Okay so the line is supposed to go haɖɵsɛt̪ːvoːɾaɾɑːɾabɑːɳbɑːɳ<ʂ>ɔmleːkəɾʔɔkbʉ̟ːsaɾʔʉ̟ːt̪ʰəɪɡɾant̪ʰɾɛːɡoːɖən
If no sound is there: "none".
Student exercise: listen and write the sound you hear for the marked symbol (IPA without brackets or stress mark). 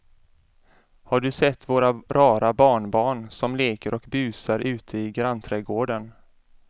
s